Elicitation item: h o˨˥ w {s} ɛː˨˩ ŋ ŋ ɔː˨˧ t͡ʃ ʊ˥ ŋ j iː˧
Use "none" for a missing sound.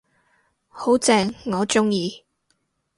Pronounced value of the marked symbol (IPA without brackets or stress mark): t͡s